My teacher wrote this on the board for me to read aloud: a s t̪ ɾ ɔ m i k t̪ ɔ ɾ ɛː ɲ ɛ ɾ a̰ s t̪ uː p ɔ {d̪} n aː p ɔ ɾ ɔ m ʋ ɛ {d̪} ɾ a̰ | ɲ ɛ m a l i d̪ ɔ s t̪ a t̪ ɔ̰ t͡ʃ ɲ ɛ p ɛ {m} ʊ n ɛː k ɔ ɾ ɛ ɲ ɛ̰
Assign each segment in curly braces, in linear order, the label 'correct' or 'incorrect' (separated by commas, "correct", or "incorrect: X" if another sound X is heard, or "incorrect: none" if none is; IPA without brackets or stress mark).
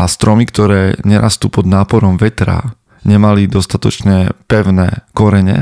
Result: correct, incorrect: t̪, incorrect: none